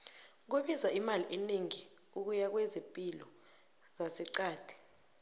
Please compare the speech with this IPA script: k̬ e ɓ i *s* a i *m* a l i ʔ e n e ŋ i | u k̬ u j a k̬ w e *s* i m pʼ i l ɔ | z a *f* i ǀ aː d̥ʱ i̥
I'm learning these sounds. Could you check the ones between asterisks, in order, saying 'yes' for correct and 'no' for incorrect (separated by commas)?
no, yes, no, no